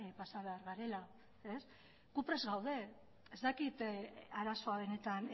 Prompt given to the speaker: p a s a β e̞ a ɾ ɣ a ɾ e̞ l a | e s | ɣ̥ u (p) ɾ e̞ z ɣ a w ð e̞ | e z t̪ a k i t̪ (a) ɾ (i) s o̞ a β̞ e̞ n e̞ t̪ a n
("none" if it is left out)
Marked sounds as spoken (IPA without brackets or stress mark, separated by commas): p, a, a